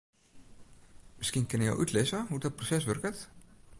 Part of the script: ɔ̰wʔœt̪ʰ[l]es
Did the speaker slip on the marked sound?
no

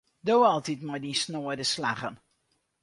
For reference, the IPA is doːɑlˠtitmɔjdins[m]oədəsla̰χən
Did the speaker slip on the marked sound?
yes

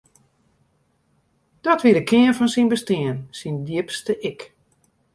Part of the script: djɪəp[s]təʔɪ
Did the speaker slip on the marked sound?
no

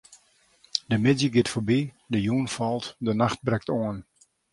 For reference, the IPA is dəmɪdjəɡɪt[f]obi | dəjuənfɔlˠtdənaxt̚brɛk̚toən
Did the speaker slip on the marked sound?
no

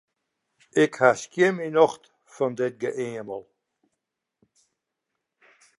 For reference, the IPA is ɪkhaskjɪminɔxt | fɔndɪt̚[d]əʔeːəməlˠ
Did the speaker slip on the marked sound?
yes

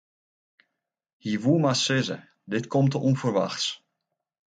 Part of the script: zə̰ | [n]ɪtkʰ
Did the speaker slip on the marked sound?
yes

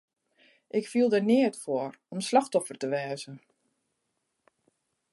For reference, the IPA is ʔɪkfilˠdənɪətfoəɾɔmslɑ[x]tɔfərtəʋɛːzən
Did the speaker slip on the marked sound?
no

